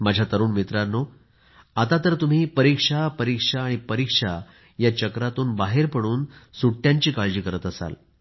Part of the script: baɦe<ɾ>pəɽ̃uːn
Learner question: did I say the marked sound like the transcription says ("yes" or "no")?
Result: yes